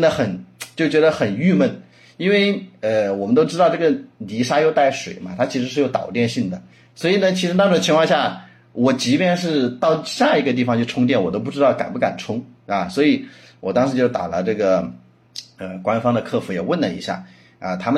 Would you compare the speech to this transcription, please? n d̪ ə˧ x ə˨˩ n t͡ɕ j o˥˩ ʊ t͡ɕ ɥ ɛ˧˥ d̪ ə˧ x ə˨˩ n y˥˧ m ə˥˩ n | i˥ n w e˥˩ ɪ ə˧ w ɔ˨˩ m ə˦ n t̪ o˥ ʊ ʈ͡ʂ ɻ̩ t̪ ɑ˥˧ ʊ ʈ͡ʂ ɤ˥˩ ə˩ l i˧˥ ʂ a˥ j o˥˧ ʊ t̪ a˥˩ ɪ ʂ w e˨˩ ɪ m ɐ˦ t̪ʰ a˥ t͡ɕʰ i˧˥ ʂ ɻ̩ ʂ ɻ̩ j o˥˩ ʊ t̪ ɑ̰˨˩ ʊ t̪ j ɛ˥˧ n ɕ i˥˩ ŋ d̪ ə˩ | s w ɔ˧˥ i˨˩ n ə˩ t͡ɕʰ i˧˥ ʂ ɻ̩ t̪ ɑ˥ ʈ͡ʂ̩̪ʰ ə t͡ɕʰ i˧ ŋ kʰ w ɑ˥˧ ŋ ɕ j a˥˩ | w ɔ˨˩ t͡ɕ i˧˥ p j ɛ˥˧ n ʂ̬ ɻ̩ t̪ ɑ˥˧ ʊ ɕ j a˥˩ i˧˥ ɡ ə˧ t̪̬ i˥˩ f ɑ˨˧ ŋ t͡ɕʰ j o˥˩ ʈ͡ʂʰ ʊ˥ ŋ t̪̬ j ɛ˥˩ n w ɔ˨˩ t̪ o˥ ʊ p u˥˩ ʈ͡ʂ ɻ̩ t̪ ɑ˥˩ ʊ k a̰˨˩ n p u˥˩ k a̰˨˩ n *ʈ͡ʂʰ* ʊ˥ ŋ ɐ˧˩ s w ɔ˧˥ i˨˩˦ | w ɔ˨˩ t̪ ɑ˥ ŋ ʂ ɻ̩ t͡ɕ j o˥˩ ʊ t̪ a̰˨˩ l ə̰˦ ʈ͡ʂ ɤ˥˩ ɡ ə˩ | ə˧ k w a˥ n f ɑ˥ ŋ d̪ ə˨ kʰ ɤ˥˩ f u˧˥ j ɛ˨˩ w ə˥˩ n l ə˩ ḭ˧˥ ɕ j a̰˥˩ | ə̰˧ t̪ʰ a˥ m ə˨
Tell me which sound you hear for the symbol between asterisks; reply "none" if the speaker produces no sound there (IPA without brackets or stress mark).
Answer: ʈ͡ʂʰ